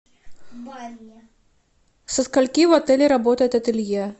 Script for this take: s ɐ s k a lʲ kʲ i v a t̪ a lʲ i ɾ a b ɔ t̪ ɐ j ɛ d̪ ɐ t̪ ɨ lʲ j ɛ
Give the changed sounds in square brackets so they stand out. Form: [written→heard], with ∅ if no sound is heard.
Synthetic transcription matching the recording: s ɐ s k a lʲ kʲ i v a t̪ [a→ɛ] lʲ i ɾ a b ɔ t̪ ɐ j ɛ [d̪→t̪] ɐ t̪ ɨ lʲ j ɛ